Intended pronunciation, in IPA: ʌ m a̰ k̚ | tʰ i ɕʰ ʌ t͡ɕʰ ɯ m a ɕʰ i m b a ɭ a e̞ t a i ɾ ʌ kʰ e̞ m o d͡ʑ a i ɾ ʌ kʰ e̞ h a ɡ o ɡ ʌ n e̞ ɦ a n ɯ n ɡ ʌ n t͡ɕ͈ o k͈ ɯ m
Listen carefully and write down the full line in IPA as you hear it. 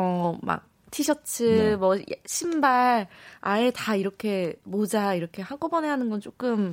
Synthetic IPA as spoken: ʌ m a̰ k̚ | tʰ i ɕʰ ʌ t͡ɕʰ ɯ m ʌ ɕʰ i m b a ɭ a e̞ t a i ɾ ʌ kʰ e̞ m o d͡ʑ a i ɾ ʌ kʰ e̞ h a ɡ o b ʌ n e̞ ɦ a n ɯ n ɡ ʌ n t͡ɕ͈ o k͈ ɯ m